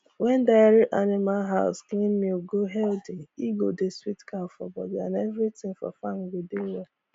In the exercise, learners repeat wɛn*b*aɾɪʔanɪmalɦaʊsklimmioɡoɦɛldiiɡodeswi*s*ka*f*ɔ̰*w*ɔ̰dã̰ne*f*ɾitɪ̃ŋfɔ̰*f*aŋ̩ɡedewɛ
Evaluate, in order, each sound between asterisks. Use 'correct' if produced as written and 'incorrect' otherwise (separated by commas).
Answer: incorrect, incorrect, correct, incorrect, incorrect, correct